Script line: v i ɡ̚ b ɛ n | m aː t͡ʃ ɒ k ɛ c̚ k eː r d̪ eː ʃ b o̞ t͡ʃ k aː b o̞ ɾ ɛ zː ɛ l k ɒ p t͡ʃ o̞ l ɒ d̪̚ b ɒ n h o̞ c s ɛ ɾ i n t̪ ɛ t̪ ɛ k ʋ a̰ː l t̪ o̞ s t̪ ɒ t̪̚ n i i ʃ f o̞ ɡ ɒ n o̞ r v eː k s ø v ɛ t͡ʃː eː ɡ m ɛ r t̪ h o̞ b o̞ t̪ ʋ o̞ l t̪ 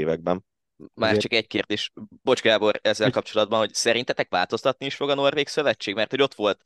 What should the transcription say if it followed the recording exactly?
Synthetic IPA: v ɛ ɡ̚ b ɛ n | m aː t͡ʃ ɒ k ɛ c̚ k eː r d̪ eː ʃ b o̞ t͡ʃ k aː b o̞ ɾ ɛ zː ɛ l k ɒ p t͡ʃ o̞ l ɒ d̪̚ b ɒ n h o̞ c s ɛ ɾ i n t̪ ɛ t̪ ɛ k ʋ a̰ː l t̪ o̞ s t̪ ɒ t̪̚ n i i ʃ f o̞ ɡ ɒ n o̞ r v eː k s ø v ɛ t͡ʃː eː ɡ m ɛ r t̪ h o̞ ɟ o̞ t̪ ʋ o̞ l t̪